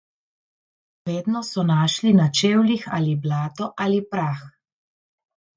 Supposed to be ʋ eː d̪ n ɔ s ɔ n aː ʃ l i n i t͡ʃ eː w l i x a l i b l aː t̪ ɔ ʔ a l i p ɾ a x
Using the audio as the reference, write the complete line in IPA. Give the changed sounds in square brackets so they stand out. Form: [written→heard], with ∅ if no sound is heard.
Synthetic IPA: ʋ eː d̪ n ɔ s ɔ n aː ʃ l i n [i→a] t͡ʃ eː w l i x a l i b l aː t̪ ɔ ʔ a l i p ɾ a x